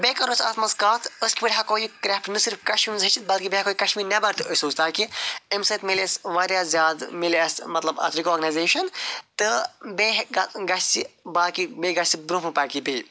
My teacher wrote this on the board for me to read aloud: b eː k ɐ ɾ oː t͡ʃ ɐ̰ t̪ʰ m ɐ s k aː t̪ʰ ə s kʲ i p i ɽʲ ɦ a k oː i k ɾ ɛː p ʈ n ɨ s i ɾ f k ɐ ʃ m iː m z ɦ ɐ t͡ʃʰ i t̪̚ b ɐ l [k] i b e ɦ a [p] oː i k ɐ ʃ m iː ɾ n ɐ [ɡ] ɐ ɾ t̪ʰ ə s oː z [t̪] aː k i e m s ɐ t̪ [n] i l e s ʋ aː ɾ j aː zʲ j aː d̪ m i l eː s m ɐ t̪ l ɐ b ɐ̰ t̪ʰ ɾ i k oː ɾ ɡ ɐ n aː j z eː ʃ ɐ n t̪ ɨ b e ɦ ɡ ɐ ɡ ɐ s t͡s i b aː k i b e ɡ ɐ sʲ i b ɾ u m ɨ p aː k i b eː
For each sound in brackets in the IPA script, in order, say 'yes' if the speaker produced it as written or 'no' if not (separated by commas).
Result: yes, no, no, yes, no